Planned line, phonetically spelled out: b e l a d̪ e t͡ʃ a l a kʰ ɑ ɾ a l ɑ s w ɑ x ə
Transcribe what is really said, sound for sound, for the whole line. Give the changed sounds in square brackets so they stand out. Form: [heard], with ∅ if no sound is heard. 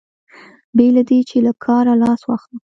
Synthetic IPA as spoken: b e l a d̪ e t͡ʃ [e] l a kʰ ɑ ɾ a l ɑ s w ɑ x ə